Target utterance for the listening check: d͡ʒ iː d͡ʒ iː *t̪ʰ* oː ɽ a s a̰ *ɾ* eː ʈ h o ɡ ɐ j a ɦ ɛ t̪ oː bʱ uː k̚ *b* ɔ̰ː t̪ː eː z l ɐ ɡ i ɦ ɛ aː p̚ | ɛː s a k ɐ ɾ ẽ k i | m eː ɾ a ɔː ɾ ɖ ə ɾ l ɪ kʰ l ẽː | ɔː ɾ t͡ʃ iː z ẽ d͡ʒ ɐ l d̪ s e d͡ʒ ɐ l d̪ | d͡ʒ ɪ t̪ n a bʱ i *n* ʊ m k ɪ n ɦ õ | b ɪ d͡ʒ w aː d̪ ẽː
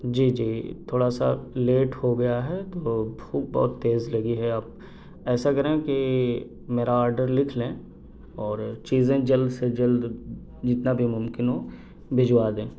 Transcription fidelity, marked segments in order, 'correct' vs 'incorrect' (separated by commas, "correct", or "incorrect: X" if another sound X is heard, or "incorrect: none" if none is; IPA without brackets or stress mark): correct, incorrect: l, correct, incorrect: m